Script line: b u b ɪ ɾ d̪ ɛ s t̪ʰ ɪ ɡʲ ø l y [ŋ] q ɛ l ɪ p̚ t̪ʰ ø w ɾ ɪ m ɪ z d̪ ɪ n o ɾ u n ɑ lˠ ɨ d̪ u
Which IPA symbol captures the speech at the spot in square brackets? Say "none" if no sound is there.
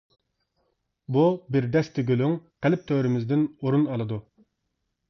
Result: ŋ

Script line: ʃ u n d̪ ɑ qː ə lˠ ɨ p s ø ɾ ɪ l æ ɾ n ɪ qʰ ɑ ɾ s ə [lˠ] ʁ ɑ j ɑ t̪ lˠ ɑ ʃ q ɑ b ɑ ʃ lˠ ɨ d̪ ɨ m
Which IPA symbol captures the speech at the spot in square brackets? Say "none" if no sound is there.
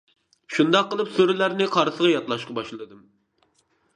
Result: none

